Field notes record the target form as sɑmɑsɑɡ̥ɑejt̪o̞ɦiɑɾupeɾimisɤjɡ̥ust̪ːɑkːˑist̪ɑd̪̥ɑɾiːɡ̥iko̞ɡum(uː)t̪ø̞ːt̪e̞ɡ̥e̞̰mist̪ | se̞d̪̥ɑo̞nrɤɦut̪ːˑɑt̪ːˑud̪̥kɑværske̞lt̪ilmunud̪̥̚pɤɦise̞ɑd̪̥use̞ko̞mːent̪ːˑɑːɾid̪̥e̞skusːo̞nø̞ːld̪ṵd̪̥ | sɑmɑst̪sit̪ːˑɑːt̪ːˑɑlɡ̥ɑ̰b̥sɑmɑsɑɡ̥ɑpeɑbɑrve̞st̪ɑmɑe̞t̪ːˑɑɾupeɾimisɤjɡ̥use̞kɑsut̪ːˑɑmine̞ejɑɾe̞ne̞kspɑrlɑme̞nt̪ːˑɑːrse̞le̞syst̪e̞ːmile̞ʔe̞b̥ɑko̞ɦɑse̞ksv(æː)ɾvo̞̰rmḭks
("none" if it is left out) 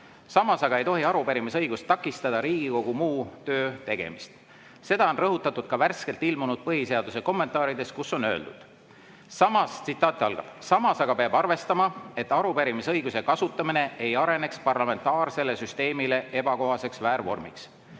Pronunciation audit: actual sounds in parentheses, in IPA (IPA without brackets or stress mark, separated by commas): uː, æː